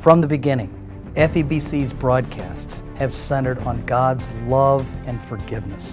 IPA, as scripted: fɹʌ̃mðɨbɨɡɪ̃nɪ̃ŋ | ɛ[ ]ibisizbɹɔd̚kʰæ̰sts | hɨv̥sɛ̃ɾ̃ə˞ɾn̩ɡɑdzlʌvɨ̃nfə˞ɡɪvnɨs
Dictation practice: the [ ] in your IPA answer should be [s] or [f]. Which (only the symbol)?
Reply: f